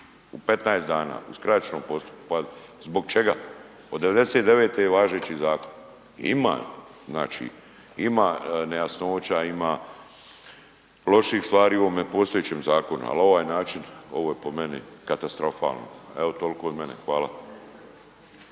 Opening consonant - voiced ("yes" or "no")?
no